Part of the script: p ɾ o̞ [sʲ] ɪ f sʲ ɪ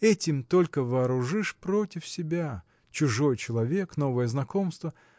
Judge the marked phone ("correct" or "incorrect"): incorrect